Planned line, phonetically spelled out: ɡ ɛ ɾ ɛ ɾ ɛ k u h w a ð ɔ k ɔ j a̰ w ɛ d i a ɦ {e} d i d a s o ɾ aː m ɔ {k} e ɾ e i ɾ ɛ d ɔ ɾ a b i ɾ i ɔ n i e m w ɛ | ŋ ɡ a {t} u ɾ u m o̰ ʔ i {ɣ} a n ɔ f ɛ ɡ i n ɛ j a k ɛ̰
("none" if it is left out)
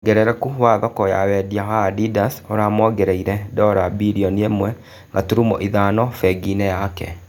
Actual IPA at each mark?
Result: a, ɡ, t, ð

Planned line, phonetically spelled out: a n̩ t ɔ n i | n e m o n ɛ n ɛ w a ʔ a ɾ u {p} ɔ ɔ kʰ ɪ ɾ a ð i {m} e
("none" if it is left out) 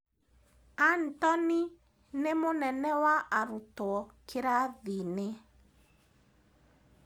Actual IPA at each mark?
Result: t, n

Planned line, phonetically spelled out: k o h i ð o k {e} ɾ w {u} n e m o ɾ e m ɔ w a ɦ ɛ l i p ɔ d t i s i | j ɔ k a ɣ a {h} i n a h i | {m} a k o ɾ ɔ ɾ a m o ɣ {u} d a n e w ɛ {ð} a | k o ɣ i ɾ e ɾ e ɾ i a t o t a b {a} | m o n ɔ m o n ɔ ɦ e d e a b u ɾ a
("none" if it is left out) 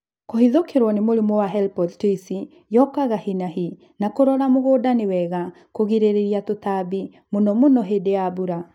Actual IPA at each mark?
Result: e, ɔ, h, n, o, ɣ, i

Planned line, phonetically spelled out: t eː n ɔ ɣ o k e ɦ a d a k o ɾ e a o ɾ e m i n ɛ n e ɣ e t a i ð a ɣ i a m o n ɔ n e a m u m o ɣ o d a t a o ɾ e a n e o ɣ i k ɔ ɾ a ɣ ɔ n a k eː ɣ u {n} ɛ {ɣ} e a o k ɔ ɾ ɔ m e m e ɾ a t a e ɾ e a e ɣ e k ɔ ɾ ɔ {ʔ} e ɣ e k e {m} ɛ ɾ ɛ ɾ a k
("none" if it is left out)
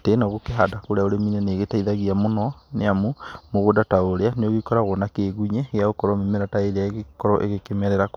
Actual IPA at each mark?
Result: ɲ, ɣ, ʔ, m

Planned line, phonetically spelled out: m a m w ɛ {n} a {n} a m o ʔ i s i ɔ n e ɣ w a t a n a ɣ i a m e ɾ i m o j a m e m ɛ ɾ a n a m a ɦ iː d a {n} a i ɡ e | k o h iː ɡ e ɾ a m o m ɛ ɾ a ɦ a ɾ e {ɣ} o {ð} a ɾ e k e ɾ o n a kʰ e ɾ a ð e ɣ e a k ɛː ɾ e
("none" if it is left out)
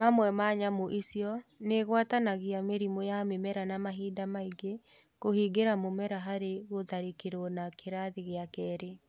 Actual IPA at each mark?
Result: m, ɲ, m, ɣ, ð

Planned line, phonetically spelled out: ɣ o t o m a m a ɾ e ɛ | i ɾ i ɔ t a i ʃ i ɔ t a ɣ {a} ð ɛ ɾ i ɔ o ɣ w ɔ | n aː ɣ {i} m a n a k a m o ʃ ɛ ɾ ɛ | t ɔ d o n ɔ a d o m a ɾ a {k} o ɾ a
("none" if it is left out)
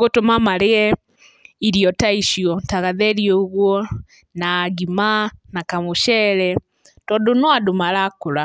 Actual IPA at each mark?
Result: a, i, k

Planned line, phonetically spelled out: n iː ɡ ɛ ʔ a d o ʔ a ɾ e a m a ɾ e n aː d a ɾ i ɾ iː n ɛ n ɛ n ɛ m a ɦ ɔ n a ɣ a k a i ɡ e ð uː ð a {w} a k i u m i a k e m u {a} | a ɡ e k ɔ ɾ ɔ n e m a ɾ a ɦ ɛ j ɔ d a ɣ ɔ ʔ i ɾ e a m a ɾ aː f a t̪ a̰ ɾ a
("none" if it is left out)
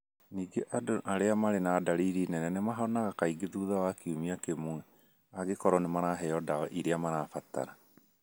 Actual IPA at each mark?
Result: w, ɛ

